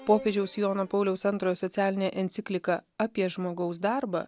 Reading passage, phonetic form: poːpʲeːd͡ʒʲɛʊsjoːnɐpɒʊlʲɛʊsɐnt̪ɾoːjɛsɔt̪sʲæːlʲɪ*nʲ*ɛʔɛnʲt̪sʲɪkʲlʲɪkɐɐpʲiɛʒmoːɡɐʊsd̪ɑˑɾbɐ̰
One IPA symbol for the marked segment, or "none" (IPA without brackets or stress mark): nʲ